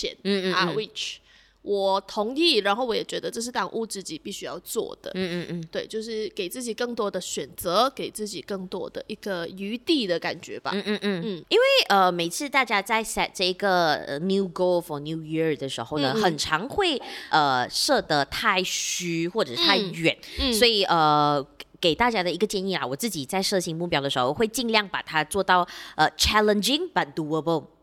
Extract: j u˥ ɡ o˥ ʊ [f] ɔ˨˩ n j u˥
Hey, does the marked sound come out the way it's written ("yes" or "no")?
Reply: yes